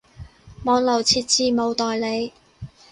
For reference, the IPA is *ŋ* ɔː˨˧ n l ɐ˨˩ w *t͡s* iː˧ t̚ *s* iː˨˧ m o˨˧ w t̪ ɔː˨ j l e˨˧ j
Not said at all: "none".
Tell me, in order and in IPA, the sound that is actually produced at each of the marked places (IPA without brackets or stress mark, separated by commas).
m, t͡sʰ, t͡s